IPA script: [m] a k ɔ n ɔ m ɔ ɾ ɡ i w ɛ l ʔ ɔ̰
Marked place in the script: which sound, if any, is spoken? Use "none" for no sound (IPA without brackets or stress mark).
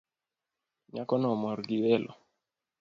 ɲ